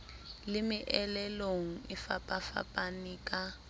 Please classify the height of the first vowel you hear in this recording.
high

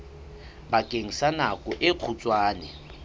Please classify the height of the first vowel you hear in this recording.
low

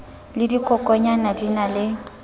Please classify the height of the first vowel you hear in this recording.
high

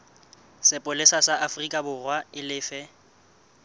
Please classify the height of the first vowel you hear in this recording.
high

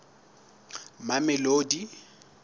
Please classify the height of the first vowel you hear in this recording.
low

